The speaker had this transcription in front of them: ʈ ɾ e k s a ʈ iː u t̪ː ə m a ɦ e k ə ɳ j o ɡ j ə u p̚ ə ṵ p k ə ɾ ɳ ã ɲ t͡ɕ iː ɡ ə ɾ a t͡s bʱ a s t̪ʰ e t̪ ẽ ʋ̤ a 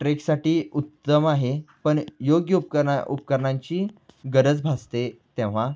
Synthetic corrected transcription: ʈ ɾ e k s a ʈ iː u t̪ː ə m a ɦ e p ə ɳ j o ɡ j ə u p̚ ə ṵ p k ə ɾ ɳ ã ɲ t͡ɕ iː ɡ ə ɾ ə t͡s bʱ a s t̪ e t̪ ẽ ʋ̤ a